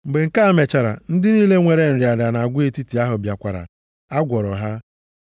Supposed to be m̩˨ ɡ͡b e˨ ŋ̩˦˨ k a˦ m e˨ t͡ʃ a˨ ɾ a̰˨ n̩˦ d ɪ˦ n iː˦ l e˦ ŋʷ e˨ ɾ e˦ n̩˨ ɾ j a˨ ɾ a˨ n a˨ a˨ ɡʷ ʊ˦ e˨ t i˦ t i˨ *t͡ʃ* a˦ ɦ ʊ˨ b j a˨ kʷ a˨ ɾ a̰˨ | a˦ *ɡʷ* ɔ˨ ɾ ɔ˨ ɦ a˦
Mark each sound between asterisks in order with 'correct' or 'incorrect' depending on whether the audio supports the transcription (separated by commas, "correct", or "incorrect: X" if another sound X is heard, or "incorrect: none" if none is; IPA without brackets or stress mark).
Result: incorrect: none, correct